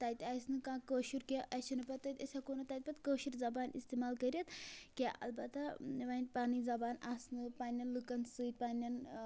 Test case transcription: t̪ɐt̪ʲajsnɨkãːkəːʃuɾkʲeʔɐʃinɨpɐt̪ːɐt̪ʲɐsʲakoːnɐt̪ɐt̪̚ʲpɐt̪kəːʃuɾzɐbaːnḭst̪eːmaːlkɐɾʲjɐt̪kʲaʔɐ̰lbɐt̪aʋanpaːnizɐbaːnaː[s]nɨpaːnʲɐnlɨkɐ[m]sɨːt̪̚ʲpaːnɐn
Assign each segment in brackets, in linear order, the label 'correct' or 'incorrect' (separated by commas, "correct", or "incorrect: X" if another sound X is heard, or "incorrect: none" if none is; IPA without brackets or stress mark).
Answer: correct, incorrect: n